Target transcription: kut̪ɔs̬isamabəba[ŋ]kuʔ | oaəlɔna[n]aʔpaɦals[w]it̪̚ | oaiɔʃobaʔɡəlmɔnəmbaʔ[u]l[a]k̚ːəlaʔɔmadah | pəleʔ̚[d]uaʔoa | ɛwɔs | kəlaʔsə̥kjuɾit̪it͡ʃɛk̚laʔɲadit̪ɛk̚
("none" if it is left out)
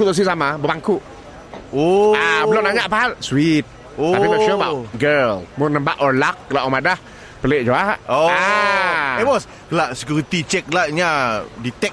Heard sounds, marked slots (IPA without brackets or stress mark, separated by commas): ŋ, ɲ, w, ɔ, a, d͡ʒ